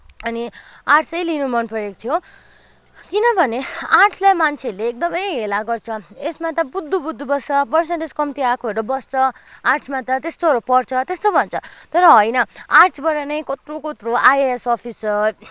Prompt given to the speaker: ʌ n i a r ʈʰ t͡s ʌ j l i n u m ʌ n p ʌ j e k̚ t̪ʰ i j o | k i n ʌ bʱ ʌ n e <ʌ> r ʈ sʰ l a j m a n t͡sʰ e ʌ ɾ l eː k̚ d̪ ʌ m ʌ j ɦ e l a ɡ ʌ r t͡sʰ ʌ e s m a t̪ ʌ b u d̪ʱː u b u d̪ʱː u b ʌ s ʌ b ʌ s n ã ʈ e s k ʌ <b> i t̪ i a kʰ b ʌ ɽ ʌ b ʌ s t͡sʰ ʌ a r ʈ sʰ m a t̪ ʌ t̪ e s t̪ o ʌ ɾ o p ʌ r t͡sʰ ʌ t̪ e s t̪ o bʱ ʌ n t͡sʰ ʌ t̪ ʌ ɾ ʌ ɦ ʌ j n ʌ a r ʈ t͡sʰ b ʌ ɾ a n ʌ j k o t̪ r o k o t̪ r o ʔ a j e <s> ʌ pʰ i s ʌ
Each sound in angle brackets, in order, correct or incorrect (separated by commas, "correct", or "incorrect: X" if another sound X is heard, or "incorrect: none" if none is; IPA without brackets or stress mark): incorrect: a, incorrect: m, correct